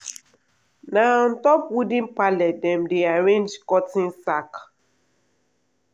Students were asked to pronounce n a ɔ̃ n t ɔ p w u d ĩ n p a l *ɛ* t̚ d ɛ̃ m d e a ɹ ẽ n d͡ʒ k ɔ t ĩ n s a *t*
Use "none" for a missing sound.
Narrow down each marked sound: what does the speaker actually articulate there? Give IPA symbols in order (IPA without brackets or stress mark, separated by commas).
ɛ, k